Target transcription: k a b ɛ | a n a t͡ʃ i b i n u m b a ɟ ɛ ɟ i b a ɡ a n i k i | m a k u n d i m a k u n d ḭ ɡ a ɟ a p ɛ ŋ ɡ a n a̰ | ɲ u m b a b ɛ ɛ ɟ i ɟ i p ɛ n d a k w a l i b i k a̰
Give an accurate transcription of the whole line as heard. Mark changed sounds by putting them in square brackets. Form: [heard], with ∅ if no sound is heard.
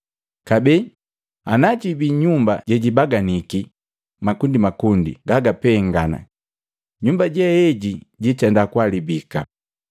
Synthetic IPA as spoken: k a b ɛ | a n a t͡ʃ i b i [ɲ] u m b a ɟ ɛ ɟ i b a ɡ a n i k i | m a k u n d i m a k u n d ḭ ɡ a [ɡ] a p ɛ ŋ ɡ a n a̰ | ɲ u m b a [ɟ] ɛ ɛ ɟ i ɟ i [t] ɛ n d a k w a l i b i k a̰